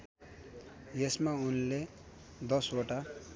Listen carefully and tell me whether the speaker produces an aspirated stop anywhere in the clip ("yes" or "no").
no